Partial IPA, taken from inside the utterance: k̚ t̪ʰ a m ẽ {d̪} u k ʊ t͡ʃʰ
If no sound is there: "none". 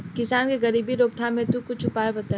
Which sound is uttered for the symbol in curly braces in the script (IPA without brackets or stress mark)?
t̪